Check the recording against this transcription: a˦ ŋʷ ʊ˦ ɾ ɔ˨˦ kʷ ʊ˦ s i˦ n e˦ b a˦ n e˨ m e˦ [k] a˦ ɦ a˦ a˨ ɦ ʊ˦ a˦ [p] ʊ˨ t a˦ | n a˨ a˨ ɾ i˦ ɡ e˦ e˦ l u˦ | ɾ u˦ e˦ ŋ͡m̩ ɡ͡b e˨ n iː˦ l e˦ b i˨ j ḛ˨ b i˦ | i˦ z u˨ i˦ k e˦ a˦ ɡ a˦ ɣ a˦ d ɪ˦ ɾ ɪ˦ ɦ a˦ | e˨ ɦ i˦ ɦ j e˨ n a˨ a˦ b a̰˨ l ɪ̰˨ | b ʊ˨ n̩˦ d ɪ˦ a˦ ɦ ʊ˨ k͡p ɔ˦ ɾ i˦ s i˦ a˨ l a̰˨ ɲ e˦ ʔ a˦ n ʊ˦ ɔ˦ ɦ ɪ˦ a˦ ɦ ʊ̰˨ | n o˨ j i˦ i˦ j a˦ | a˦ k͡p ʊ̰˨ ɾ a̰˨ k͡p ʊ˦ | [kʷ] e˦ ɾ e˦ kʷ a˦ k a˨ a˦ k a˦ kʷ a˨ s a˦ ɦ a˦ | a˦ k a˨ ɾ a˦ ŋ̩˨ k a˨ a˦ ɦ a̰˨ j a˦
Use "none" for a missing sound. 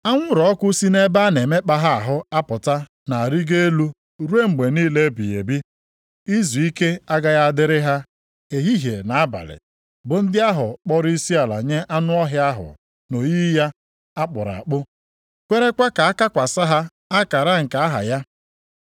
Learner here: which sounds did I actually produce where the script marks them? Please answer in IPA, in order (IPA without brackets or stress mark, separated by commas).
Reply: k͡p, p, kʷ